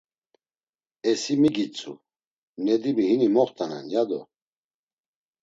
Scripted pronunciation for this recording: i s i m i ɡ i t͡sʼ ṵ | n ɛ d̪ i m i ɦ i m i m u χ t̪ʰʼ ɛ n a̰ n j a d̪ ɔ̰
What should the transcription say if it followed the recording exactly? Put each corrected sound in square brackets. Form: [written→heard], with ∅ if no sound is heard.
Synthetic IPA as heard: [i→ɛ] s i m i ɡ i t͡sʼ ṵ | n ɛ d̪ i m i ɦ i [m→n] i m [u→ɔ] χ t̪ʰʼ [ɛ→a] n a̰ n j a d̪ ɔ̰